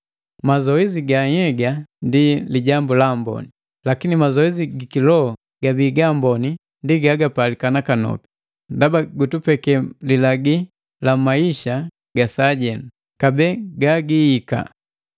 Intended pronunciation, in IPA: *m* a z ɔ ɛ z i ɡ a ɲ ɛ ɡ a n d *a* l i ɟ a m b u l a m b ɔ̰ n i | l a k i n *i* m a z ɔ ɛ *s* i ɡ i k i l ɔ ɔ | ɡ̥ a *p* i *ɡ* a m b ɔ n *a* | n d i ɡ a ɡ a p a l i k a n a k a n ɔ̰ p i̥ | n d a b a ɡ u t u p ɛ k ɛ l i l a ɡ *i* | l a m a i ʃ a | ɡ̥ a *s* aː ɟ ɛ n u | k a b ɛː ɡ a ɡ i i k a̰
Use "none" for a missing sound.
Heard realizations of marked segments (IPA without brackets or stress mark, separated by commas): m, i, i, z, b, ɡ, i, i, s